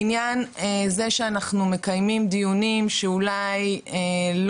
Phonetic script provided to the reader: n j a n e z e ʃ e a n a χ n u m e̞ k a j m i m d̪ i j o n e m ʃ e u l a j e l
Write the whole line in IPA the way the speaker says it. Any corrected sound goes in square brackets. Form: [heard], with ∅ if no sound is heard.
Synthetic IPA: n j a n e z e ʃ e a n a χ n u m e̞ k a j m i m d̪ i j [u] n [i] m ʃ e u l a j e l